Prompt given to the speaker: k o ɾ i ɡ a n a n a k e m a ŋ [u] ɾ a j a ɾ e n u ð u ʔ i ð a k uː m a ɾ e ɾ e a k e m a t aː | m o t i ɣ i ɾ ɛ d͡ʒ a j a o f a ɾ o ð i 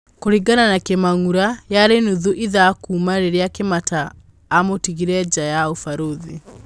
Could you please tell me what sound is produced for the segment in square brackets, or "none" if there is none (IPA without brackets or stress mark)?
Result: u